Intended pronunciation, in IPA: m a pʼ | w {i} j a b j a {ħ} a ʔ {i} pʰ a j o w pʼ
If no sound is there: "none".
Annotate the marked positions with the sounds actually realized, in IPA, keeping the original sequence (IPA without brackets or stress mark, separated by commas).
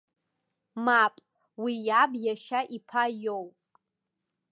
i, ʃ, i